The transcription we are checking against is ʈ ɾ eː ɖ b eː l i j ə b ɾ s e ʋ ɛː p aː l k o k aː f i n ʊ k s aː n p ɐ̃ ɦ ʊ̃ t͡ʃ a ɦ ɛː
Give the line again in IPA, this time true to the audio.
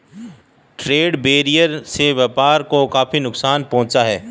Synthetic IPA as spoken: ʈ ɾ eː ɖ b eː ɾ i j ə ɾ s e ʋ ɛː p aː ɾ k o k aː f i n ʊ k s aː n p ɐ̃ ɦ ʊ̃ t͡ʃ a ɦ ɛː

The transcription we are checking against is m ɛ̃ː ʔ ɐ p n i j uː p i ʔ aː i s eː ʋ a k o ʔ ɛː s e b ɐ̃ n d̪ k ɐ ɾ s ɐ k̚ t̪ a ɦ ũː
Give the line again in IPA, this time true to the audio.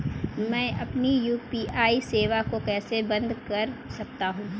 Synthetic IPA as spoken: m ɛ̃ː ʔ ɐ p n i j uː p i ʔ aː i s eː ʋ a k o k ɛː s e b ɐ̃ n d̪ k ɐ ɾ s ɐ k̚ t̪ a ɦ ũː

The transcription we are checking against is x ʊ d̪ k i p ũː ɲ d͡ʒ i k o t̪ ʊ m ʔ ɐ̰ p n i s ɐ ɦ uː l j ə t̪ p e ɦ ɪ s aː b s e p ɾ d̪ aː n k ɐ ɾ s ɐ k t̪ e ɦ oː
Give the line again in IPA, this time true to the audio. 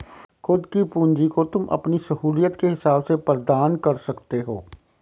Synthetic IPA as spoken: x ʊ d̪ k i p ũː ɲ d͡ʒ i k o t̪ ʊ m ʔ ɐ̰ p n i s ɐ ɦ uː l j ə t̪ k e ɦ ɪ s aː b s e p ɾ d̪ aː n k ɐ ɾ s ɐ k t̪ e ɦ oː

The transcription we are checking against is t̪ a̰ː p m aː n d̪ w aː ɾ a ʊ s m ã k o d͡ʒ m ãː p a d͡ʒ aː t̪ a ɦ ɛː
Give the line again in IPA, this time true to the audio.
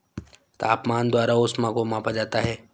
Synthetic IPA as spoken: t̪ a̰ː p m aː n d̪ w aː ɾ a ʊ s m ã k o m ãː p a d͡ʒ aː t̪ a ɦ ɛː

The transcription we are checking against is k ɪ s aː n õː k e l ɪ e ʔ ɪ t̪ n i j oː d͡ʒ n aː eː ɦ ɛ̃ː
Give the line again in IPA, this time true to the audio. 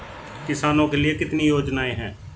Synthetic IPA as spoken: k ɪ s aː n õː k e l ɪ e k ɪ t̪ n i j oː d͡ʒ n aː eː ɦ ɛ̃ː

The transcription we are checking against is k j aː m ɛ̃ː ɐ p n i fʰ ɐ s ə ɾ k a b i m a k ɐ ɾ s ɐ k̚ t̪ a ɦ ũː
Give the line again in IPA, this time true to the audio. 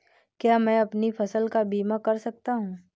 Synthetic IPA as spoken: k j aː m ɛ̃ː ɐ p n i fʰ ɐ s ə l k a b iː m a k ɐ ɾ s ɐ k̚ t̪ a ɦ ũː

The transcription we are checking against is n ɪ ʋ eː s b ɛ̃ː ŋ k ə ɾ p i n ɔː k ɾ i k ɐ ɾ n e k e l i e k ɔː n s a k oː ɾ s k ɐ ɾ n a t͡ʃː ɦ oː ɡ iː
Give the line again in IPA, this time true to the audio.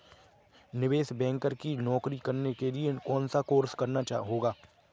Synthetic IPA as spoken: n ɪ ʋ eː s b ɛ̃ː ŋ k ə ɾ k i n ɔː k ɾ i k ɐ ɾ n e k e l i e k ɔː n s a k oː ɾ s k ɐ ɾ n a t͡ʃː ɦ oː ɡ aː

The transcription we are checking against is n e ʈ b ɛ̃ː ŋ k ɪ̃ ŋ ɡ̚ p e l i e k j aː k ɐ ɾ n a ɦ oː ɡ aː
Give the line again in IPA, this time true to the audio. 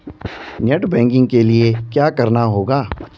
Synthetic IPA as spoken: n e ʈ b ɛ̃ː ŋ k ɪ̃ ŋ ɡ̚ k e l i e k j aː k ɐ ɾ n a ɦ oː ɡ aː

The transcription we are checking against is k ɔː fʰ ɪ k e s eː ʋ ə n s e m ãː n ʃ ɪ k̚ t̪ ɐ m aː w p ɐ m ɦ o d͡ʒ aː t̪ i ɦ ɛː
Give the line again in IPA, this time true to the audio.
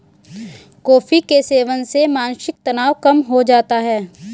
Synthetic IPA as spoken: k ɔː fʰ i k e s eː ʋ ə n s e m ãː n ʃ ɪ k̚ t̪ ɐ n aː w k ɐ m ɦ o d͡ʒ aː t̪ a ɦ ɛː

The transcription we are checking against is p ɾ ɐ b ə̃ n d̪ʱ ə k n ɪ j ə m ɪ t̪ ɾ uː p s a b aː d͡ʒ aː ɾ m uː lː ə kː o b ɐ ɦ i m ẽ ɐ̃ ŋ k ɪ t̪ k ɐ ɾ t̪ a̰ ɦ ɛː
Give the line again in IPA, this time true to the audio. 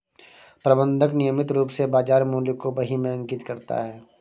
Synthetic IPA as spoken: p ɾ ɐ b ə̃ n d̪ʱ ə k n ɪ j ə m ɪ t̪ ɾ uː p s e b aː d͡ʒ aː ɾ m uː l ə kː o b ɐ ɦ i m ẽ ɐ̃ ŋ k ɪ t̪ k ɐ ɾ t̪ a̰ ɦ ɛː

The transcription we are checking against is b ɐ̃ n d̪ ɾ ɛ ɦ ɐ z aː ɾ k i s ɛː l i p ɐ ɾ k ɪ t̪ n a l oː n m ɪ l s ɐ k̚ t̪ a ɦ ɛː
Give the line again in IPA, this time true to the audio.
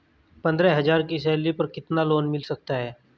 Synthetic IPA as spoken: p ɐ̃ n d̪ ɾ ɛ ɦ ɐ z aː ɾ k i s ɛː l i p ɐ ɾ k ɪ t̪ n a l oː n m ɪ l s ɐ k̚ t̪ a ɦ ɛː

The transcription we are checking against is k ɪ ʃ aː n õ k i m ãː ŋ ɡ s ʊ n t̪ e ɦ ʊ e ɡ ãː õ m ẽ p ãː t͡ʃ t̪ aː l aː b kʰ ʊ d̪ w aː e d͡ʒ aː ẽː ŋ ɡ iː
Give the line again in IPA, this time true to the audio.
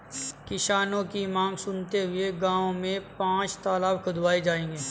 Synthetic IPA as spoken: k ɪ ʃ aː n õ k i m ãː ŋ ɡ s ʊ n t̪ e ɦ ʊ e ɡ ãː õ m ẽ p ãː t͡ʃ t̪ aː l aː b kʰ ʊ d̪ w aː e d͡ʒ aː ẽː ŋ ɡ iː

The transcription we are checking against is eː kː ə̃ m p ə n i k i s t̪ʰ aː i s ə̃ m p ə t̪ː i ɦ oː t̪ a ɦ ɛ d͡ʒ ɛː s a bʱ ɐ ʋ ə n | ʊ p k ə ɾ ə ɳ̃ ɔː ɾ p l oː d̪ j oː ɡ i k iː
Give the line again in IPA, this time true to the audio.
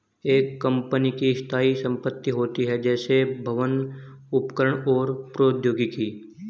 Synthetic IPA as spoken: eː kː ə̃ m p ə n i k i s t̪ʰ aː i s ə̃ m p ə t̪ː i ɦ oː t̪ i ɦ ɛ d͡ʒ ɛː s e bʱ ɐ ʋ ə n | ʊ p k ə ɾ ə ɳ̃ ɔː ɾ p ɾ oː d̪ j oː ɡ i k iː

